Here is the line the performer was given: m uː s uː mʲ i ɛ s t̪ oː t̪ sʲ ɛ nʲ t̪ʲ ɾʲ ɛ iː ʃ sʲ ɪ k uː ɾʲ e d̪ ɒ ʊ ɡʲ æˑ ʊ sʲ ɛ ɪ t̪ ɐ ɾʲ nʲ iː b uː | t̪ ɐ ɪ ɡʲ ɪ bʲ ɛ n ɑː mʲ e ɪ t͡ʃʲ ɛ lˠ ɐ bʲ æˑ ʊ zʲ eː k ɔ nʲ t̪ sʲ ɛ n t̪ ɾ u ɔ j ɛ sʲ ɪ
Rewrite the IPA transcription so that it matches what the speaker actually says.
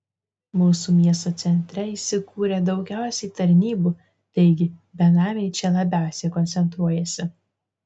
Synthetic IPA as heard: m uː s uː mʲ i ɛ s t̪ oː t̪ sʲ ɛ nʲ t̪ʲ ɾʲ ɛ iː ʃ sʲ ɪ k uː ɾʲ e d̪ ɒ ʊ ɡʲ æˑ ʊ sʲ ɛ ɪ t̪ ɐ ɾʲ nʲ iː b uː | t̪ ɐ ɪ ɡʲ ɪ bʲ ɛ n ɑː mʲ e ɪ t͡ʃʲ ɛ lˠ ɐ bʲ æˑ ʊ sʲ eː k ɔ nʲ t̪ sʲ ɛ n t̪ ɾ u ɔ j ɛ sʲ ɪ

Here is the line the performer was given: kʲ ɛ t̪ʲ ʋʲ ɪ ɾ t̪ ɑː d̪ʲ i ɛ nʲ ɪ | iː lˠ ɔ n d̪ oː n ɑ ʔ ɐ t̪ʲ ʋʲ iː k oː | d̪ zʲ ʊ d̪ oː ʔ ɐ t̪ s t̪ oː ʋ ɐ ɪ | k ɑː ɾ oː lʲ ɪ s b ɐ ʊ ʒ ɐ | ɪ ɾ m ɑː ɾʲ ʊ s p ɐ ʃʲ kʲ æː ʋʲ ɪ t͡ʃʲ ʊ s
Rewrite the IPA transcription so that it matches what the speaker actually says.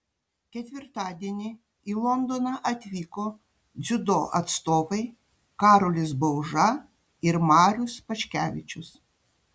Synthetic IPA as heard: kʲ ɛ t̪ʲ ʋʲ ɪ ɾ t̪ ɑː d̪ʲ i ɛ nʲ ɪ | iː lˠ ɔ n d̪ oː n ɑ ʔ ɐ t̪ʲ ʋʲ iː k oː | d̪ zʲ ʊ d̪ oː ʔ ɐ t̪ s t̪ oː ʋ ɐ ɪ | k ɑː ɾ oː lʲ ɪ s b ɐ ʊ ʒ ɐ | ɪ ɾ m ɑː ɾʲ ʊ s p ɐ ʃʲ kʲ æː ʋʲ ɪ t͡ʃʲ ʊ s

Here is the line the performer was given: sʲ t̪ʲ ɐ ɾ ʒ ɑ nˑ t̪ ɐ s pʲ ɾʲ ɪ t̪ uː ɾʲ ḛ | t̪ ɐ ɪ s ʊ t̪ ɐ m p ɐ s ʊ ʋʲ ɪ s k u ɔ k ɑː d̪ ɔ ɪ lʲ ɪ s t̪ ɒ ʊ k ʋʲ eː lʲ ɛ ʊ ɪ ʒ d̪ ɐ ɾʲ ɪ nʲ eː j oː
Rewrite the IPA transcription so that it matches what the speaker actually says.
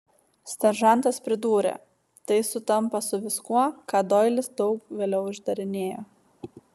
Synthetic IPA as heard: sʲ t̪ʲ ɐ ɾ ʒ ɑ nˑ t̪ ɐ s pʲ ɾʲ ɪ d̪ uː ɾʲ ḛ | t̪ ɐ ɪ s ʊ t̪ ɐ m p ɐ s ʊ ʋʲ ɪ s k u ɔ k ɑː d̪ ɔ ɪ lʲ ɪ s d̪ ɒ ʊ k ʋʲ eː lʲ ɛ ʊ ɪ ʒ d̪ ɐ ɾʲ ɪ nʲ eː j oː

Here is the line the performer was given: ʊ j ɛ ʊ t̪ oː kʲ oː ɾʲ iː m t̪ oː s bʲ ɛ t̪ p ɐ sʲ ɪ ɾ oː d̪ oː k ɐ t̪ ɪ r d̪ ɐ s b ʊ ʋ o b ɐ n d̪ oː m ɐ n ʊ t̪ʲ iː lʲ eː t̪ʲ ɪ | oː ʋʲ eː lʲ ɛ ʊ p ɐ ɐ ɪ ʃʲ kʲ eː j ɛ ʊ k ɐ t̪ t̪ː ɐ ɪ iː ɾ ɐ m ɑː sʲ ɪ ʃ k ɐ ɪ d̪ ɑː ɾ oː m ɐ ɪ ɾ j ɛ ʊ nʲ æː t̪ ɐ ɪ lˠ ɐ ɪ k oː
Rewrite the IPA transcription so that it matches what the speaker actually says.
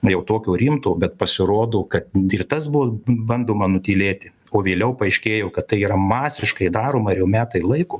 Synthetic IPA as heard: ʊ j ɛ ʊ t̪ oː kʲ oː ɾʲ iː m t̪ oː bʲ ɛ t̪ p ɐ sʲ ɪ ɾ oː d̪ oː k ɐ t̪ ɪ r t̪ ɐ s b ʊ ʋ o b ɐ n d̪ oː m ɐ n ʊ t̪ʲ iː lʲ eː t̪ʲ ɪ | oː ʋʲ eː lʲ ɛ ʊ p ɐ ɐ ɪ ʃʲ kʲ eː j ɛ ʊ k ɐ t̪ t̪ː ɐ ɪ iː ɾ ɐ m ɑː sʲ ɪ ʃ k ɐ ɪ d̪ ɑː ɾ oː m ɐ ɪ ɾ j ɛ ʊ mʲ æː t̪ ɐ ɪ lˠ ɐ ɪ k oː

